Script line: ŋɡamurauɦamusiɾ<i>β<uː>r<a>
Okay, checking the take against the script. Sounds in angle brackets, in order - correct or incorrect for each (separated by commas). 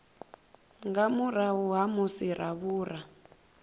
incorrect, correct, correct